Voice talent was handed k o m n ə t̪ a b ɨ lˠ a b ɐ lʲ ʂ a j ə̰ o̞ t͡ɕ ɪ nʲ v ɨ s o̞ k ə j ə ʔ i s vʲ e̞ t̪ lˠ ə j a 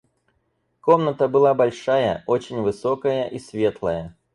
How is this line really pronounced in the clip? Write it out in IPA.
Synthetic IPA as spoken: k o m n ə t̪ ə b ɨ lˠ a b ɐ lʲ ʂ a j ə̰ o̞ t͡ɕ ɪ nʲ v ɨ s o̞ k ə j ə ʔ i s vʲ e̞ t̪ lˠ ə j ə